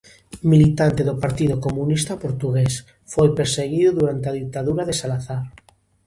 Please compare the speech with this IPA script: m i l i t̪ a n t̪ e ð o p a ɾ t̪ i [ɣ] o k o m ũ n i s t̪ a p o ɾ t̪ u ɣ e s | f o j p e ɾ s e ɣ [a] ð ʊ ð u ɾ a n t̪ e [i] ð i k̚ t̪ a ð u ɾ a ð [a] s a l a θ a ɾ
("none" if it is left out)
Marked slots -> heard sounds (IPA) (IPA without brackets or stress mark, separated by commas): ð, i, a, e